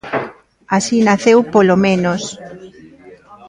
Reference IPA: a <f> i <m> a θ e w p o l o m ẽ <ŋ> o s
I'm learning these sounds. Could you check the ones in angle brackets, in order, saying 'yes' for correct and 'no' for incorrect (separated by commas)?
no, no, no